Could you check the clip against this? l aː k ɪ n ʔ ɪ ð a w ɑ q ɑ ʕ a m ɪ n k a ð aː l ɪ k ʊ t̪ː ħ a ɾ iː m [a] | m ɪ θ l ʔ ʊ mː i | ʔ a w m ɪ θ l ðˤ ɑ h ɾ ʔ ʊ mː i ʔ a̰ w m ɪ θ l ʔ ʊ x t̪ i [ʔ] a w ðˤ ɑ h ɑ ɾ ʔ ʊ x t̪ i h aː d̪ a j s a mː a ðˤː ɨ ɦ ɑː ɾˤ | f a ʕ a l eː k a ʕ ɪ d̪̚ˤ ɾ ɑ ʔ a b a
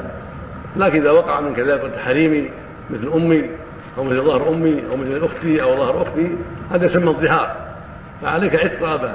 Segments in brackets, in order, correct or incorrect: incorrect: i, correct

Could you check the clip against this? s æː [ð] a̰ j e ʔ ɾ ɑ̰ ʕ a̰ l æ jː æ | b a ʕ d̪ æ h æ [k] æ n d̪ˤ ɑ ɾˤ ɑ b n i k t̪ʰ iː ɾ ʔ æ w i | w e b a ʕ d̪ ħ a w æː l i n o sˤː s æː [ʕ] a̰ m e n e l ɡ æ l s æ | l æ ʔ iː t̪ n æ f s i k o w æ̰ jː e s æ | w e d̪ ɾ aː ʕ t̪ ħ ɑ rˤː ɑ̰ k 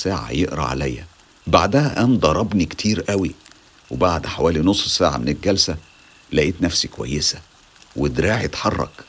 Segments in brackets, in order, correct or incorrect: incorrect: ʕ, incorrect: ʔ, correct

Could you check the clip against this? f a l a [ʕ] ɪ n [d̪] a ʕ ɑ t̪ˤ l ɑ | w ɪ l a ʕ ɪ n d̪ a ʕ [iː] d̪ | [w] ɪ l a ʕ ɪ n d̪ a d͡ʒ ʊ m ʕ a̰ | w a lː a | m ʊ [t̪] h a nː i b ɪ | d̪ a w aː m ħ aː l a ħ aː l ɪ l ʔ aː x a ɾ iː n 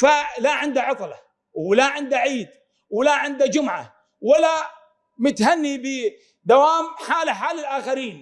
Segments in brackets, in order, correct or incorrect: correct, correct, correct, correct, correct

